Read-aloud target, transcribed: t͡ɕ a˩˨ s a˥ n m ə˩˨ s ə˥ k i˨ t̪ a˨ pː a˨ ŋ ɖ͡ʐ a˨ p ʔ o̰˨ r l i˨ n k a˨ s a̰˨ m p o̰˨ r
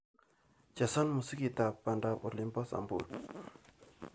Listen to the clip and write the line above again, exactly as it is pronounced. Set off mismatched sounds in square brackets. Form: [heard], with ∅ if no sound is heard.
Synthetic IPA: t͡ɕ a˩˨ s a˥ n m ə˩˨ s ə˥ k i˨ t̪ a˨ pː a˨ [ɳ] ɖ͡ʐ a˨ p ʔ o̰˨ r l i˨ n [p] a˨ s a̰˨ m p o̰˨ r